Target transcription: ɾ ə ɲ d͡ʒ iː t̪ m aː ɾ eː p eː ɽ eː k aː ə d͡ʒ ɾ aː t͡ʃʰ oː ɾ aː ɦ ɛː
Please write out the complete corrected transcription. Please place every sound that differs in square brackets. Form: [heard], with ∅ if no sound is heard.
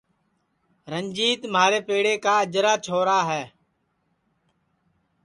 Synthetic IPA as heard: ɾ ə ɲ d͡ʒ iː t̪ m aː ɾ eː p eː ɽ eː k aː ə d͡ʒ ɾ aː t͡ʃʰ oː ɾ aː ɦ ɛː